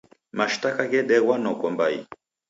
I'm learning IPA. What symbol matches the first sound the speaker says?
m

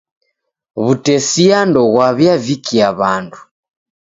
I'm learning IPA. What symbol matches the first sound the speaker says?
β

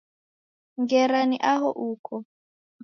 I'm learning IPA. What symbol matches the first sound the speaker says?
ŋ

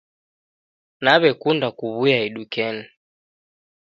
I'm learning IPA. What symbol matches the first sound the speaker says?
n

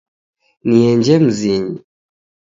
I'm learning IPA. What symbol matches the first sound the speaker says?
n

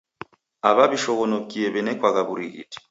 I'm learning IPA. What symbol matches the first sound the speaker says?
a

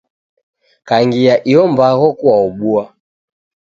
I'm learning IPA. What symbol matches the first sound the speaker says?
k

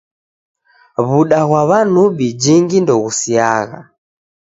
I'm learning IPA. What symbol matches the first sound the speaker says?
β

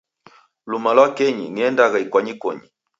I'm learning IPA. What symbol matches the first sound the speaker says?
l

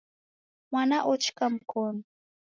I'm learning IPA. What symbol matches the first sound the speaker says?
m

